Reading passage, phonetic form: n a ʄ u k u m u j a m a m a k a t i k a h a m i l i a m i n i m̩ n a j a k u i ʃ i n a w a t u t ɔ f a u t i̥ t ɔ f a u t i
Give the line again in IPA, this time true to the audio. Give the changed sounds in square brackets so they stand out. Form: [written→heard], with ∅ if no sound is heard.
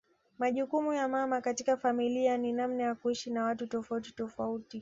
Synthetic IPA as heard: [n→m] a ʄ u k u m u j a m a m a k a t i k a [h→f] a m i l i a [m→n] i n [i→a] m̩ n a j a k u i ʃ i n a w a t u t ɔ f a u t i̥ t ɔ f a u t i

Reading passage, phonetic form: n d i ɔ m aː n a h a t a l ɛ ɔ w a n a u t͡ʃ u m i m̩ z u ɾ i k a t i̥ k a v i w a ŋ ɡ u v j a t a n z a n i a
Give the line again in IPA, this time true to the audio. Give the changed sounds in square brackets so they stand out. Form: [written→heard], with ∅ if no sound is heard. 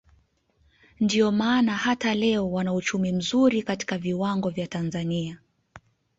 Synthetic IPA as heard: n d i ɔ m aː n a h a t a l ɛ ɔ w a n a u t͡ʃ u m i m̩ z u ɾ i k a t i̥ k a v i w a ŋ ɡ [u→ɔ] v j a t a n z a n i a

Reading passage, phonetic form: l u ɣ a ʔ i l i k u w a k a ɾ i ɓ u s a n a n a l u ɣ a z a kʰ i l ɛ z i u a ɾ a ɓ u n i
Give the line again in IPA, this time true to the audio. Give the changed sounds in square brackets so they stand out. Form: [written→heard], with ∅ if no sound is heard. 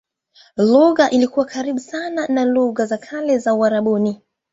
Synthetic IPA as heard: l u ɣ a ʔ i l i k u w a k a ɾ i ɓ u s a n a n a l u ɣ a z a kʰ [i→a] l ɛ z [i→a] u a ɾ a ɓ u n i

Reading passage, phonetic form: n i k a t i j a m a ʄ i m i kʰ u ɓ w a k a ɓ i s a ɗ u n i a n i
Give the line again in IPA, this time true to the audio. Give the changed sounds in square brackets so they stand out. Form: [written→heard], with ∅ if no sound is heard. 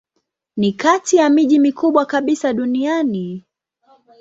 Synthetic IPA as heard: n i k a t i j a m [a→i] ʄ i m i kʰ u ɓ w a k a ɓ i s a ɗ u n i a n i

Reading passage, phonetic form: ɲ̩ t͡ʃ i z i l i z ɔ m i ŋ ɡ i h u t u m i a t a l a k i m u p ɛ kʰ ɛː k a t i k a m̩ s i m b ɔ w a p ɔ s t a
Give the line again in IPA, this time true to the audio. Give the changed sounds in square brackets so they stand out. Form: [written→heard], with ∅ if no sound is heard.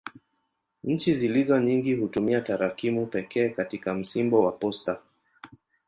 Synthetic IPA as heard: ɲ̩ t͡ʃ i z i l i z ɔ [m→ɲ] i ŋ ɡ i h u t u m i a t a [l→ɾ] a k i m u p ɛ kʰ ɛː k a t i k a m̩ s i m b ɔ w a p ɔ s t a

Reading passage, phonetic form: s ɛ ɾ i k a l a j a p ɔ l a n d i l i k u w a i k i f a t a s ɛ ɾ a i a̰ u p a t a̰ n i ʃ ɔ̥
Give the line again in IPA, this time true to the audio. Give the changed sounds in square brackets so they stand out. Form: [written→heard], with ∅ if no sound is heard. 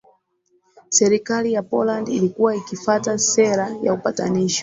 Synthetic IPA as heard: s ɛ ɾ i k a l [a→i] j a p ɔ l a n d i l i k u w a i k i f a t a s ɛ ɾ a [i→j] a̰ u p a t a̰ n i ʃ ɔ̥

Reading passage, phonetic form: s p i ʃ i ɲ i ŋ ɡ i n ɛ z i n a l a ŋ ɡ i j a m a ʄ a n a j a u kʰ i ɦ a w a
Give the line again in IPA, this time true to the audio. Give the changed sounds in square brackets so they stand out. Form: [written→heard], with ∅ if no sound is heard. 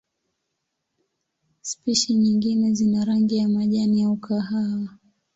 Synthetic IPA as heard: s p i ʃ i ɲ i ŋ ɡ i n ɛ z i n a [l→ɾ] a ŋ ɡ i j a m a ʄ a n [a→i] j a u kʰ [i→a] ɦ a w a

